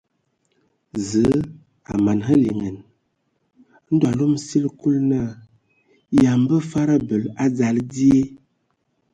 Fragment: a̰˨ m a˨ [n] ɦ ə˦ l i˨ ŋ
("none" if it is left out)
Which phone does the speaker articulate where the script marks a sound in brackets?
n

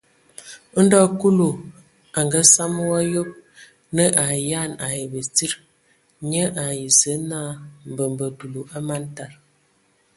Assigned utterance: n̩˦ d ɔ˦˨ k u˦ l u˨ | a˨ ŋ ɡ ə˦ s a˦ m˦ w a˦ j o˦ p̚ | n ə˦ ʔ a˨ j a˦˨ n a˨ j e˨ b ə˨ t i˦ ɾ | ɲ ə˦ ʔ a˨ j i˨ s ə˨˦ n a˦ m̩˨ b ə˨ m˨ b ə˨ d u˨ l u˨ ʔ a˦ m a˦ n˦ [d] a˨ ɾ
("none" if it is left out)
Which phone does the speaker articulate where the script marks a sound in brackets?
t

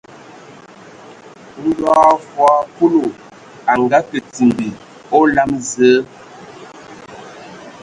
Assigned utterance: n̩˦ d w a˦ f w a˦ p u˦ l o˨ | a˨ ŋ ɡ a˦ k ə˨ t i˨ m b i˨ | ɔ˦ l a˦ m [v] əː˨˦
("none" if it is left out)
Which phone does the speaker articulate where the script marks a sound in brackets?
z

